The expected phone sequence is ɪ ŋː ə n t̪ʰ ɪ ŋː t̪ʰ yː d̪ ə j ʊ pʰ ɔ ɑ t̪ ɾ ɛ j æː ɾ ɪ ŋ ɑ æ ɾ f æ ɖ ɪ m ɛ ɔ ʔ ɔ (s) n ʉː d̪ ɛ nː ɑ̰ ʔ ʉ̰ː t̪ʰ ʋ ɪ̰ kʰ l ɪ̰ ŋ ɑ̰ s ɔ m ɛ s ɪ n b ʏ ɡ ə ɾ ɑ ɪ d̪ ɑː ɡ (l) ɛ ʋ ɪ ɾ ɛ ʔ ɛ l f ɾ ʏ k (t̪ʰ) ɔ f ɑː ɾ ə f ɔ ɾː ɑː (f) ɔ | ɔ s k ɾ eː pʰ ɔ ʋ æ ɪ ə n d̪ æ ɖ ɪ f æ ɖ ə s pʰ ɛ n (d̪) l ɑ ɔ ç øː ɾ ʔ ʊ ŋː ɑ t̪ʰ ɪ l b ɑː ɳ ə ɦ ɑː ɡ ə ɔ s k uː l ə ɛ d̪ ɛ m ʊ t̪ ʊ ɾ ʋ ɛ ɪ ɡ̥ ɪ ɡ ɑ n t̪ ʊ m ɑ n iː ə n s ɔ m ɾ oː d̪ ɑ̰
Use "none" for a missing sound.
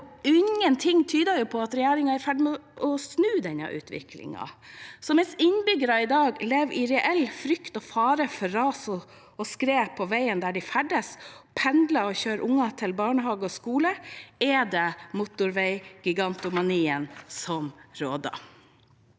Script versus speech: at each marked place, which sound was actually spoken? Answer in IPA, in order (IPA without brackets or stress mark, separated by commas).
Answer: s, l, t̪, s, d̪